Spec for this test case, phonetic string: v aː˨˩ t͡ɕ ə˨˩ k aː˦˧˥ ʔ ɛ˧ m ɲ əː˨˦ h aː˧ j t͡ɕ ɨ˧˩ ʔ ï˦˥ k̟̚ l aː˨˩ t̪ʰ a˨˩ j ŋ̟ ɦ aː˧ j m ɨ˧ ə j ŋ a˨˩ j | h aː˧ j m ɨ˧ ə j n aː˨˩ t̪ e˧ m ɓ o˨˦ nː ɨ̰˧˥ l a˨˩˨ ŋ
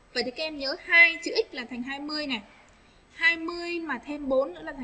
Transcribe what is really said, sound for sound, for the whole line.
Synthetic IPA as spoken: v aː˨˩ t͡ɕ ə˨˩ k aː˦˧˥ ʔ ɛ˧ m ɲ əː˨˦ h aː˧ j t͡ɕ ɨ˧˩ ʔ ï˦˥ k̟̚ l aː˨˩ t̪ʰ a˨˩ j ŋ̟ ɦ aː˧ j m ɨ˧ ə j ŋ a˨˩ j | h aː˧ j m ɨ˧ ə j m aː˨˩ t̪ʰ e˧ m ɓ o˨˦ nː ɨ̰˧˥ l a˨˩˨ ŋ